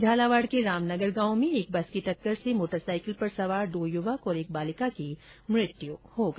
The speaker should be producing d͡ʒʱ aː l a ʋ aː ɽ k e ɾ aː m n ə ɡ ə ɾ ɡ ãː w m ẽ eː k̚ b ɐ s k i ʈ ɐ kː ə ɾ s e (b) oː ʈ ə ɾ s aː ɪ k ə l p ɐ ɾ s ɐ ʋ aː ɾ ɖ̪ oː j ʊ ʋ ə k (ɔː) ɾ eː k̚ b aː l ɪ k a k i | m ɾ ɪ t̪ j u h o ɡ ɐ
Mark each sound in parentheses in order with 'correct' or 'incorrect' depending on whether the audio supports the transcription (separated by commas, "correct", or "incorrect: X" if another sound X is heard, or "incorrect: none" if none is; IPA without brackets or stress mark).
incorrect: m, correct